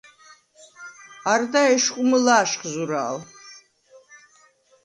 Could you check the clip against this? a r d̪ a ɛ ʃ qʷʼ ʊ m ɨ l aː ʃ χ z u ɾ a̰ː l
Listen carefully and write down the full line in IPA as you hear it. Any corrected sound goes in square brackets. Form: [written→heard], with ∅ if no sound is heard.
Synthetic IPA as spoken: a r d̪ a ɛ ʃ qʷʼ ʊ m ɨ l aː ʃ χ z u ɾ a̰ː l